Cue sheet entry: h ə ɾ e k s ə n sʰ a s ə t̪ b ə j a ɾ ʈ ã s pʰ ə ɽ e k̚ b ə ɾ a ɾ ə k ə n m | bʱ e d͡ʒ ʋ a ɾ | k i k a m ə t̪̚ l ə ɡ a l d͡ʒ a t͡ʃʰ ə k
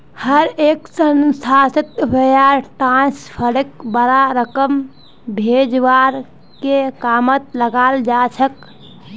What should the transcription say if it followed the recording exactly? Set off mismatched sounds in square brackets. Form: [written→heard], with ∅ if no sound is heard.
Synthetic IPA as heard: h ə ɾ e k s ə n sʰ a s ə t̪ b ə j a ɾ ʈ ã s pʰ ə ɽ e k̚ b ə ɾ a ɾ ə k ə [n→∅] m | bʱ e d͡ʒ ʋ a ɾ | k [i→e] k a m ə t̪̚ l ə ɡ a l d͡ʒ a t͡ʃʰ ə k